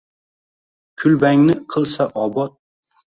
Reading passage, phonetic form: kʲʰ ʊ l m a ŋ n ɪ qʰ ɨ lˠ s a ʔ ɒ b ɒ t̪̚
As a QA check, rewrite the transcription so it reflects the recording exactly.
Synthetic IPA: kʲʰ ʊ l b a ŋ n ɪ qʰ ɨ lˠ s a ʔ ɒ b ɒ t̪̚